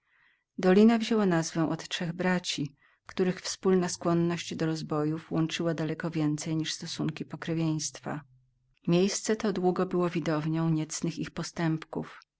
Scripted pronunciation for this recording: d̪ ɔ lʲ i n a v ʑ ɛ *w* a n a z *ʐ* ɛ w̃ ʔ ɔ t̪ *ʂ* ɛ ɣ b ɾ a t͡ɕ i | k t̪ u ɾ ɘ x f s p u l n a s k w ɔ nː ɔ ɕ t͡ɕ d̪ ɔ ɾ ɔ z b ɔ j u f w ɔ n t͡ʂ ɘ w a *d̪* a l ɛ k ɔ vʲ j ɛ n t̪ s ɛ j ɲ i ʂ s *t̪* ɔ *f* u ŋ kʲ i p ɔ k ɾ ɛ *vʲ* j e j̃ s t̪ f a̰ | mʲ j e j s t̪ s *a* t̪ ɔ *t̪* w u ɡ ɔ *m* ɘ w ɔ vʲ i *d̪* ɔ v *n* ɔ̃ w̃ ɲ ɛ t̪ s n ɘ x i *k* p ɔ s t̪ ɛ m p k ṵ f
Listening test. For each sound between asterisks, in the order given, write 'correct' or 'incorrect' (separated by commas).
correct, incorrect, correct, correct, correct, incorrect, correct, incorrect, incorrect, incorrect, correct, incorrect, incorrect